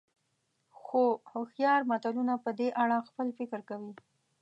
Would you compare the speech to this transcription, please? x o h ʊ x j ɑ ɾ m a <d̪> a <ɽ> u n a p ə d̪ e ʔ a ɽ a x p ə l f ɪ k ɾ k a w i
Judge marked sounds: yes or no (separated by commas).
no, no